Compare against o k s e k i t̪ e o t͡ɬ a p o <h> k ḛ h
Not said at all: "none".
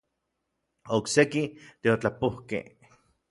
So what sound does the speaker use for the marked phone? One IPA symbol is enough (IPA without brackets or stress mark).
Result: h